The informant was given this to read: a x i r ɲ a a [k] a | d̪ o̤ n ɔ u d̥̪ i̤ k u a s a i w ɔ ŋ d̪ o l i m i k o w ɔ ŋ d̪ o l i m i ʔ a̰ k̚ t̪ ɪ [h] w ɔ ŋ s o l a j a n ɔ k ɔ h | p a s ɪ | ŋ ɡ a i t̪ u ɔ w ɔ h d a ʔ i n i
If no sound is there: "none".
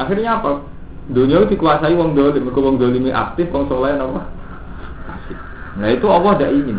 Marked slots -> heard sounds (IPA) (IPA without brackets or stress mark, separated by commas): p, f